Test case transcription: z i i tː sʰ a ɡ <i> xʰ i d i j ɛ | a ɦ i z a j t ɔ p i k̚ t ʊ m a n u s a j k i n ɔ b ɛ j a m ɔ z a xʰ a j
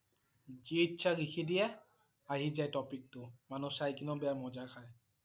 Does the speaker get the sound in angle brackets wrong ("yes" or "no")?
no